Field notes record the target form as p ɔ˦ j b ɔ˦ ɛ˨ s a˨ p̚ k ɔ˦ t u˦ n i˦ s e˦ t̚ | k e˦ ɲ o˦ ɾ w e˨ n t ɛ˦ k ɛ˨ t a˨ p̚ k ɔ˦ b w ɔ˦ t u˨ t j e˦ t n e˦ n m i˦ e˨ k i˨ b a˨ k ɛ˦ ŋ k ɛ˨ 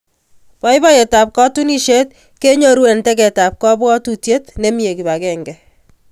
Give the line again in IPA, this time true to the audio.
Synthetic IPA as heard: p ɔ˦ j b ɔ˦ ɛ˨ t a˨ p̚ k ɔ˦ t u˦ n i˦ ʃ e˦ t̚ | k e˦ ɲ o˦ ɾ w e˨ n t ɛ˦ k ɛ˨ t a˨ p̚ k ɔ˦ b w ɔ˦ t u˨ t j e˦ t n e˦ m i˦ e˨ k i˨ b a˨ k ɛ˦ ŋ ɡ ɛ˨